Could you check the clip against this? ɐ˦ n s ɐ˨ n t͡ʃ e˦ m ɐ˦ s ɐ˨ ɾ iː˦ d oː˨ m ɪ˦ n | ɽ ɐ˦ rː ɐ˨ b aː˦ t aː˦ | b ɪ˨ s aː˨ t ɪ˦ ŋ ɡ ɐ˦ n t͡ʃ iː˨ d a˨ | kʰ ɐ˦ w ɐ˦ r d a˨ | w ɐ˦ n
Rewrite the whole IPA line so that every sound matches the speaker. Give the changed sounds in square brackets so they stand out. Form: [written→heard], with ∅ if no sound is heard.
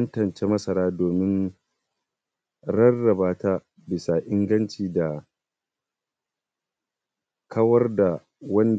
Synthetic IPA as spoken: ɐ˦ n [s→t] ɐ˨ n t͡ʃ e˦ m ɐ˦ s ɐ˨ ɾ [iː˦→aː˦] d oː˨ m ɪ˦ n | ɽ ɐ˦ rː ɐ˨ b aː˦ t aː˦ | b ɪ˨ s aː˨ [t→ʔ] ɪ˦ ŋ ɡ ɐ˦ n t͡ʃ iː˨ d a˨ | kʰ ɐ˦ w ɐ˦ r d a˨ | w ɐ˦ n